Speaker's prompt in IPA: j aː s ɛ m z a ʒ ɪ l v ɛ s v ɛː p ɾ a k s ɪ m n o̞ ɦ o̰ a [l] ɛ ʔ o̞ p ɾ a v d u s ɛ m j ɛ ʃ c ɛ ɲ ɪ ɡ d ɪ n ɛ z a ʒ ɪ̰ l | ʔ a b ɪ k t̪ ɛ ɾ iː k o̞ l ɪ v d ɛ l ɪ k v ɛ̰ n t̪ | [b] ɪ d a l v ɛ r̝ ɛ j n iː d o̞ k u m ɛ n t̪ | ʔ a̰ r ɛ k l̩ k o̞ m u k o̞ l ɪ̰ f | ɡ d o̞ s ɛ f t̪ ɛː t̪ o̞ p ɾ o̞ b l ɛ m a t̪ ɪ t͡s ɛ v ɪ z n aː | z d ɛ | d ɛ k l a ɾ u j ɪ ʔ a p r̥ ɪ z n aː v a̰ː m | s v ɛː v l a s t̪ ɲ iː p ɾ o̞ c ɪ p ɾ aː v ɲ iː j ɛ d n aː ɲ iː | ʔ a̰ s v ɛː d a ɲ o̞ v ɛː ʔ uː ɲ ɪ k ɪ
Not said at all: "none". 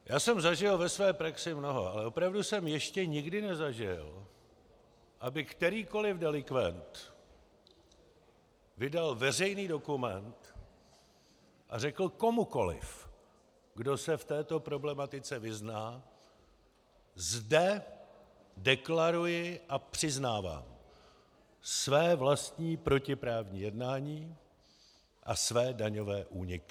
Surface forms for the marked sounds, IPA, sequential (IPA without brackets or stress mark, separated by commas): l, v